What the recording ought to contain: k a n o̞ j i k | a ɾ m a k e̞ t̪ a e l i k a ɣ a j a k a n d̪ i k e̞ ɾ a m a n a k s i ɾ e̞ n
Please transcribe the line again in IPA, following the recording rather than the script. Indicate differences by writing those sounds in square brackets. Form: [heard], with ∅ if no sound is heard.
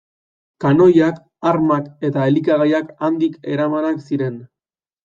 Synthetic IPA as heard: k a n o̞ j [a] k | a ɾ m a k e̞ t̪ a e l i k a ɣ a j a k a n d̪ i k e̞ ɾ a m a n a k s i ɾ e̞ n